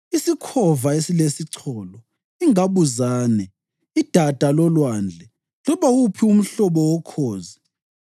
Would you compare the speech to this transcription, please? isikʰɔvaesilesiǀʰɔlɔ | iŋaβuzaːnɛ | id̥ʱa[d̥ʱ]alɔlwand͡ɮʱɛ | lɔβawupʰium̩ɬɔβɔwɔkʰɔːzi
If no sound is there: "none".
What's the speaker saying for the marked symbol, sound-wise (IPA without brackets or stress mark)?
d̥ʱ